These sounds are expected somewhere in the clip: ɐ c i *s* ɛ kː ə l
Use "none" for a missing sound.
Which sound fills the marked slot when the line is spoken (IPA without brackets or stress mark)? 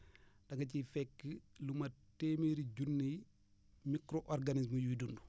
f